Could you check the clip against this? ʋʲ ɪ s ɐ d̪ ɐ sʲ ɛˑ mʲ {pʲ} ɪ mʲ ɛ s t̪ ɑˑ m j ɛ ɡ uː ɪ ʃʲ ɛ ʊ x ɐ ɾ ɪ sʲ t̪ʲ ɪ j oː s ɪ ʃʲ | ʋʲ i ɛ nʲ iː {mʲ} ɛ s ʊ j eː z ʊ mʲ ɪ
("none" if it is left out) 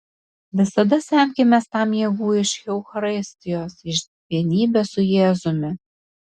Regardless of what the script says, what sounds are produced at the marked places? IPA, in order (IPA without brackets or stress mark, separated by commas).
kʲ, bʲ